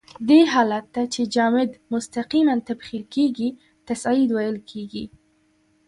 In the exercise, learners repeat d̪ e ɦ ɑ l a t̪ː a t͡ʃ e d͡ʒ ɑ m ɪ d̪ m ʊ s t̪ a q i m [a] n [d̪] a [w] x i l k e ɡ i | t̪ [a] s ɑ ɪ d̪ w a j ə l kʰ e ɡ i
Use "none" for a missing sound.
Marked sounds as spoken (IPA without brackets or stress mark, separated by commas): a, t̪, b, a